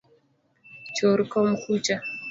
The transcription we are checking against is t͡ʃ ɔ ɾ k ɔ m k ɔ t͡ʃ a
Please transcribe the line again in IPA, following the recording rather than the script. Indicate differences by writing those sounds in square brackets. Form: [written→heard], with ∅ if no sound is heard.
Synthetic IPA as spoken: t͡ʃ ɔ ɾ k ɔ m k [ɔ→u] t͡ʃ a